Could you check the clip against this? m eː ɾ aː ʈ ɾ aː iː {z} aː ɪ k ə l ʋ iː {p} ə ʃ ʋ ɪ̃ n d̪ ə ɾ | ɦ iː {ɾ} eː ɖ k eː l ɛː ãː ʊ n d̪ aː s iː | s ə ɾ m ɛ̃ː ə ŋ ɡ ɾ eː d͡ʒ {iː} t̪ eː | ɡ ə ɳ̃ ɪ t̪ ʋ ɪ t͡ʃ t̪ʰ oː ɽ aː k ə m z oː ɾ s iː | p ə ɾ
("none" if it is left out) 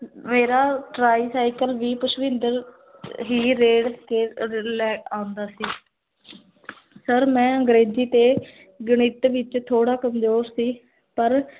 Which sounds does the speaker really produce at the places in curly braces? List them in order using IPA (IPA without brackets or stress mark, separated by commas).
s, p, ɾ, iː